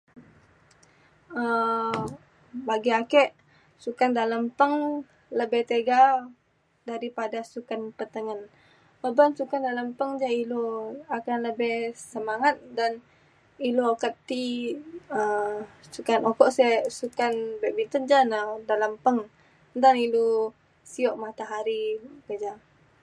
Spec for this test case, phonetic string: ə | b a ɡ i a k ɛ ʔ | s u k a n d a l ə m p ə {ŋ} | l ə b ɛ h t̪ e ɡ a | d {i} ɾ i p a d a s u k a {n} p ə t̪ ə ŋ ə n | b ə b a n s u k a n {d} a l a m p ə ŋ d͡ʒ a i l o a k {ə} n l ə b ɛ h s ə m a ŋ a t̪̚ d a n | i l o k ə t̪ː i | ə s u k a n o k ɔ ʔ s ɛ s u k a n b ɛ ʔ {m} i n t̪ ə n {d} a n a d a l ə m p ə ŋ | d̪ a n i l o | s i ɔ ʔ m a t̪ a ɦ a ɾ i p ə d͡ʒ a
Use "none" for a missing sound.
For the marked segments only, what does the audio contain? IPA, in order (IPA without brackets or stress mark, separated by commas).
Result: ŋ, a, n, d, a, b, d͡ʒ